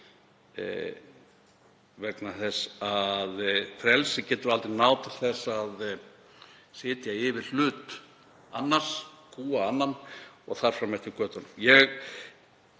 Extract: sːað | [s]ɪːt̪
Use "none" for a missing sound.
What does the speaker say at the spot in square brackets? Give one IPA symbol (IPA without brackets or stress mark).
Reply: s